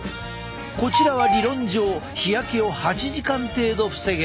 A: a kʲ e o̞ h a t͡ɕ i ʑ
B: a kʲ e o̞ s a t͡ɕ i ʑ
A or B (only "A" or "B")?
A